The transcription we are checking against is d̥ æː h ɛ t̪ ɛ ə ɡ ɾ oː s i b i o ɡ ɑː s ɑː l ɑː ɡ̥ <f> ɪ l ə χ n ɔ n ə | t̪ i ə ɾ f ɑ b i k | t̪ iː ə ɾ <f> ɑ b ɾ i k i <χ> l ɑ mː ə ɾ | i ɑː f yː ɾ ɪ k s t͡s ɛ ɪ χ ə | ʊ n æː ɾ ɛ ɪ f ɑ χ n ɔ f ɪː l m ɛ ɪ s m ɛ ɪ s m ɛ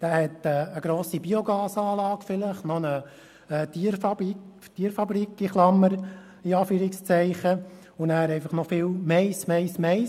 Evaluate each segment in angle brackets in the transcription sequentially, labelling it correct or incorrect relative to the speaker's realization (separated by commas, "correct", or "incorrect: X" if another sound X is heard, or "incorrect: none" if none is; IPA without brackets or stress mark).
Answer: correct, correct, correct